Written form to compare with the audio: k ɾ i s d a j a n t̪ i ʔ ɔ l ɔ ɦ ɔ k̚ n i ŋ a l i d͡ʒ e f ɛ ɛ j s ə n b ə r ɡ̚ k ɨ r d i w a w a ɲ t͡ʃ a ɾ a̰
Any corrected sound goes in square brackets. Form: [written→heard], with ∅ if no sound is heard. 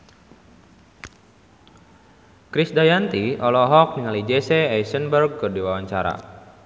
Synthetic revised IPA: k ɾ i s d a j a n t̪ i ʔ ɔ l ɔ ɦ ɔ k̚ n i ŋ a l i d͡ʒ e [f→s] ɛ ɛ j s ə n b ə r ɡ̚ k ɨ r d i w a w a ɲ t͡ʃ a ɾ a̰

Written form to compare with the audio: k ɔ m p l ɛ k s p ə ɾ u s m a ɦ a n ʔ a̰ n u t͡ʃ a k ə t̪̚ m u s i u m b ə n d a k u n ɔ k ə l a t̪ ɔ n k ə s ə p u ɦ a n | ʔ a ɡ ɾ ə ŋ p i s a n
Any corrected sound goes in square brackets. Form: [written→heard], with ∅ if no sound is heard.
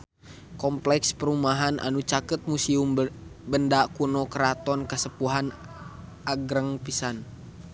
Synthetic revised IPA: k ɔ m p l ɛ k s p ə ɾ u [s→∅] m a ɦ a n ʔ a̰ n u t͡ʃ a k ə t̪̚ m u s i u m b ə n d a k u n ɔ k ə [l→ɾ] a t̪ ɔ n k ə s ə p u ɦ a n | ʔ a ɡ ɾ ə ŋ p i s a n

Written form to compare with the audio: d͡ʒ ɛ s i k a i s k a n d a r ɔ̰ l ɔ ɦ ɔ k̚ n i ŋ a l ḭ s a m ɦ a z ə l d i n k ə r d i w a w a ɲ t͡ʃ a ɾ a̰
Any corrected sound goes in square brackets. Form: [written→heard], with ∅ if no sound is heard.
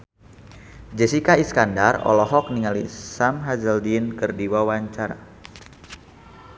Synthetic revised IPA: d͡ʒ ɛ s i k a i s k a n d a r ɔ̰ l ɔ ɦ ɔ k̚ n i ŋ a l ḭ s a m ɦ a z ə l d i n k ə r d i w a w a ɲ t͡ʃ a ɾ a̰

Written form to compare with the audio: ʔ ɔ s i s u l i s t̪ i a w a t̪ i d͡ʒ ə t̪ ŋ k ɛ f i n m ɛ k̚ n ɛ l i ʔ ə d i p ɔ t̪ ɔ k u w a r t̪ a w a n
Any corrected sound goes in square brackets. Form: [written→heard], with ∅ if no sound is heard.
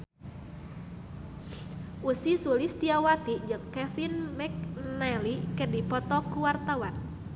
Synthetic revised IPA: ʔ [ɔ→u] s i s u l i s t̪ i a w a t̪ i d͡ʒ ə [t̪→∅] ŋ k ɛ f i n m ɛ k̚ n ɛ l i [ʔ→k] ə d i p ɔ t̪ ɔ k u w a r t̪ a w a n

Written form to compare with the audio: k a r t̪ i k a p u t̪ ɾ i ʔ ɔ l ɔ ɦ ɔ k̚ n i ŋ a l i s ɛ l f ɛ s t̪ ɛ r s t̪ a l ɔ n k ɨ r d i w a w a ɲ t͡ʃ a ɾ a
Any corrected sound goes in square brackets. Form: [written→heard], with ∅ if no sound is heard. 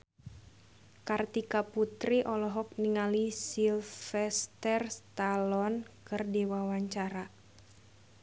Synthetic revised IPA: k a r t̪ i k a p u t̪ ɾ i ʔ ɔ l ɔ ɦ ɔ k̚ n i ŋ a l i s [ɛ→i] l f ɛ s t̪ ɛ r s t̪ a l ɔ n k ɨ r d i w a w a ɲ t͡ʃ a ɾ a

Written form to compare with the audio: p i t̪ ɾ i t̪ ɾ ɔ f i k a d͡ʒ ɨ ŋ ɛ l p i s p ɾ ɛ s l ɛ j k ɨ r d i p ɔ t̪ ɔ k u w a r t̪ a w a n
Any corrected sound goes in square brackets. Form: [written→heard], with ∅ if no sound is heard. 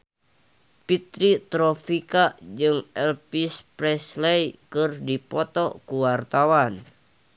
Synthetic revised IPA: p i t̪ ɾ i t̪ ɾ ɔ f i k a d͡ʒ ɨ ŋ ɛ l p i s p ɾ ɛ s l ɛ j k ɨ r d i p ɔ t̪ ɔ k u w a r t̪ a w a n

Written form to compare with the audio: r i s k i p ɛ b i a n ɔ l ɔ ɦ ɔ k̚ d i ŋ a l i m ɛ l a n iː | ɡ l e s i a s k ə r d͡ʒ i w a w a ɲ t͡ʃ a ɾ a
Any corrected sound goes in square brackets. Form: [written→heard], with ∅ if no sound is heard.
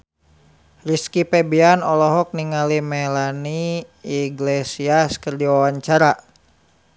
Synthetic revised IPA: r i s k i p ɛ b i a n ɔ l ɔ ɦ ɔ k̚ [d→n] i ŋ a l i m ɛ l a n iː | ɡ l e s i a s k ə r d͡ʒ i w a w a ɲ t͡ʃ a ɾ a

